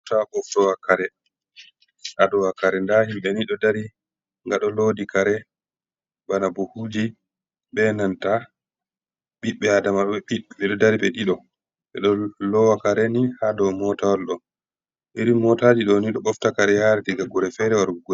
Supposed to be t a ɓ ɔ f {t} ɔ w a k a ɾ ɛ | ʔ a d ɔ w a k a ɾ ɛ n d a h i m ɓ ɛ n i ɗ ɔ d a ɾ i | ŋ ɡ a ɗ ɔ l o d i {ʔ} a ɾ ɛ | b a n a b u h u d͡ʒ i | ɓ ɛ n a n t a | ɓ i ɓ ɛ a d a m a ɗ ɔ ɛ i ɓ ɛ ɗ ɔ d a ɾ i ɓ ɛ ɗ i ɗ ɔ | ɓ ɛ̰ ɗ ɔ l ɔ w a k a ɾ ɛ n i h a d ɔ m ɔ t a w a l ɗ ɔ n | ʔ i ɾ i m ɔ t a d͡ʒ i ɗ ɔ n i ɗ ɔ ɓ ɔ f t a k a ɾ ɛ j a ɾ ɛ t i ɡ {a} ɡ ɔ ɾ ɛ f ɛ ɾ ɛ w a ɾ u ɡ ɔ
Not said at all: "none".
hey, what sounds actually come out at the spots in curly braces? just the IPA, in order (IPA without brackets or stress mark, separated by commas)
t, k, a